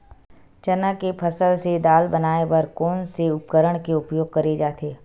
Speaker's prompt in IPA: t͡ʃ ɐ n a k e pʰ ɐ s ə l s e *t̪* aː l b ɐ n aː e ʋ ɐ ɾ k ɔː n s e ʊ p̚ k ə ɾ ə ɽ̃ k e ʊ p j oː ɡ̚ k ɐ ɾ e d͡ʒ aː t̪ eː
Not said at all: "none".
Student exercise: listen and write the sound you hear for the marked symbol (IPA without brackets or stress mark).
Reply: d̪